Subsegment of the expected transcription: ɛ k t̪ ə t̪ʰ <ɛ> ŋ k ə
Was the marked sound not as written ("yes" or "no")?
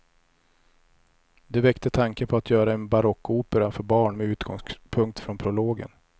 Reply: yes